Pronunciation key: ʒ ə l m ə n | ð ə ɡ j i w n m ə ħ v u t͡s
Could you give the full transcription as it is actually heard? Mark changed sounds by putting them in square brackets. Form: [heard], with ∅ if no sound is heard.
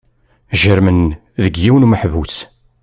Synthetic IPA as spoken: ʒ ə [ɾ] m ə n | ð ə ɡ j i w n m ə ħ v u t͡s